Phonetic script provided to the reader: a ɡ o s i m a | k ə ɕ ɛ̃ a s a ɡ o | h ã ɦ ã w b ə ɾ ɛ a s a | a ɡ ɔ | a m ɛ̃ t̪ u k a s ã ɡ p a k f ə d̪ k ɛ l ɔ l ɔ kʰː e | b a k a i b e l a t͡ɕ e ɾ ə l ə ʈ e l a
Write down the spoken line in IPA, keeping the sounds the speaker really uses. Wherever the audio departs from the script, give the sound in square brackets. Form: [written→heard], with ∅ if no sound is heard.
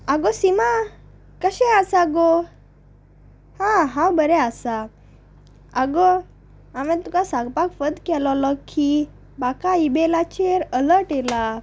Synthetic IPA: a ɡ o s i m a | k ə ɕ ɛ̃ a s a ɡ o | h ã ɦ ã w b ə ɾ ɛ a s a | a ɡ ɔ | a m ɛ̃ t̪ u k a s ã ɡ p a k f ə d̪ k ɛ l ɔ l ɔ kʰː [e→i] | b a k a i b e l a t͡ɕ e ɾ ə l ə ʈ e l a